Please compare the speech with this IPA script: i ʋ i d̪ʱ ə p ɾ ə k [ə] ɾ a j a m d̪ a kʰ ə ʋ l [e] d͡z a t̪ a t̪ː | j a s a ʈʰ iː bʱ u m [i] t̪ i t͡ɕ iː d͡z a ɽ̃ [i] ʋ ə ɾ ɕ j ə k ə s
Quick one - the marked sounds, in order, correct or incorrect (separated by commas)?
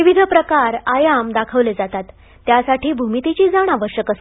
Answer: incorrect, correct, correct, incorrect